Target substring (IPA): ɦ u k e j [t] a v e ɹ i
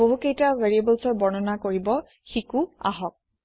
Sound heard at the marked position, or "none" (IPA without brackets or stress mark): t